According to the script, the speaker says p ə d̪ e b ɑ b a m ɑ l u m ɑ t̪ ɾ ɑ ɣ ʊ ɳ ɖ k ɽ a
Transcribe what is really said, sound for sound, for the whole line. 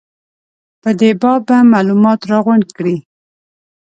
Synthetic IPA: p ə d̪ e b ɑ b a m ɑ l u m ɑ t̪ ɾ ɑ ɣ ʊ ɳ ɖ k ɽ i